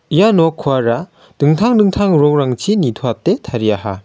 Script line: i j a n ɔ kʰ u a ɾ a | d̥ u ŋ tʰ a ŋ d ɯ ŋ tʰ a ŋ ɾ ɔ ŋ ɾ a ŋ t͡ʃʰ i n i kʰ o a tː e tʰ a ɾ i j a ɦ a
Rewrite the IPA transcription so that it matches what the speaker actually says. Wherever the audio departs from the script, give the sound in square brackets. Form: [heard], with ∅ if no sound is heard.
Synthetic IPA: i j a n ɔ kʰ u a ɾ a | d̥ [ɯ] ŋ tʰ a ŋ d ɯ ŋ tʰ a ŋ ɾ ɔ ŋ ɾ a ŋ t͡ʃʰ i n i [tʰ] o a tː e tʰ a ɾ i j a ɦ a